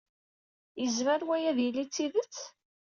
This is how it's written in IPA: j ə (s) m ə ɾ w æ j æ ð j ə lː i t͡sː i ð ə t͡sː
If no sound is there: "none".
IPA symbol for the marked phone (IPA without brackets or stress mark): z